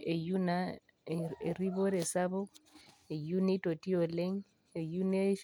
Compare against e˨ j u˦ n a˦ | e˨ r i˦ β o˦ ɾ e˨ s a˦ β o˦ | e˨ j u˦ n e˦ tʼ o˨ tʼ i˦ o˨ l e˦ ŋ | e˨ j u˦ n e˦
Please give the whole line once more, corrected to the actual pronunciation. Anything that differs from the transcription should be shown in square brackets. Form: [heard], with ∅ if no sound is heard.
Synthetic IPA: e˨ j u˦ n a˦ | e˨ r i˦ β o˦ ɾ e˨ s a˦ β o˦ | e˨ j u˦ n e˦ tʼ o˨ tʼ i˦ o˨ l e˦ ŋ | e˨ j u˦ n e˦